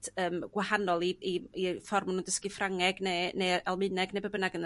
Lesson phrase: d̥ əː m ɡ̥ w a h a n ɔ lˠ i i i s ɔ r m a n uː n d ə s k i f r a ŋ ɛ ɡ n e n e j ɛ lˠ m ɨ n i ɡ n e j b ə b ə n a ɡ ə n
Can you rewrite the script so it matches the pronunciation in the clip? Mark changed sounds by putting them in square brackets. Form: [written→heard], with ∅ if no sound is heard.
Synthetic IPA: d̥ əː m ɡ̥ w a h a n ɔ lˠ i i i [s→f] ɔ r m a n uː n d ə s k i f r a ŋ ɛ ɡ n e n e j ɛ lˠ m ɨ n [i→ɛ] ɡ n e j b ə b ə n a ɡ ə n